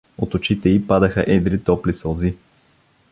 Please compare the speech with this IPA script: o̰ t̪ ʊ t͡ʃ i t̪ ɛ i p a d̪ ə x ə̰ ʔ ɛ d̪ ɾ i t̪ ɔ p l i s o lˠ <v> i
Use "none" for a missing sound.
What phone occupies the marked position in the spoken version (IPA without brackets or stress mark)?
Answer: z